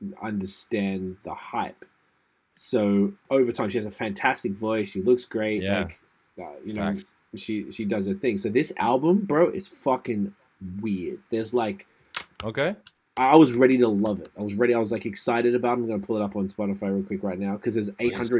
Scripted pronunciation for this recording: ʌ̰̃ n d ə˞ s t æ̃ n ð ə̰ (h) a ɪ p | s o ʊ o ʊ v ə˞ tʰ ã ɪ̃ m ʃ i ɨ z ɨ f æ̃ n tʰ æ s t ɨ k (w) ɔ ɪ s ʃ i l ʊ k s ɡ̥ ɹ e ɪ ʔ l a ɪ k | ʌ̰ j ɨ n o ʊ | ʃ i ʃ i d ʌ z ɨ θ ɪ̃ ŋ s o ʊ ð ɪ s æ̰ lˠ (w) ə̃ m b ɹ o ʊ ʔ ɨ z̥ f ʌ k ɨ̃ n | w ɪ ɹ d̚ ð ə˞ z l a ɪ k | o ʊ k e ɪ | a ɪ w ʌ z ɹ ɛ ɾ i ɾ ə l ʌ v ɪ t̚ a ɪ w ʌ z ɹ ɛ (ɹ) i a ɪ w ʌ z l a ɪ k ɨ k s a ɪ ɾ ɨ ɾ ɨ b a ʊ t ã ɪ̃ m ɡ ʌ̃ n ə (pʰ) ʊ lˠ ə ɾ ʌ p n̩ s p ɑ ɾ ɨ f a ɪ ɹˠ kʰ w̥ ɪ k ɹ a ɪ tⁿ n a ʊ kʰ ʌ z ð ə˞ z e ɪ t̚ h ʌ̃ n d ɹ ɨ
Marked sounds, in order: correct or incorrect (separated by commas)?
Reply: correct, incorrect, incorrect, incorrect, correct